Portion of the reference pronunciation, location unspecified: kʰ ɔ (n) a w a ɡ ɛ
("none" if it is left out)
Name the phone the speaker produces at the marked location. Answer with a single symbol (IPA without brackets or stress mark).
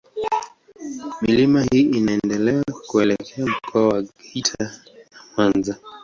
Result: none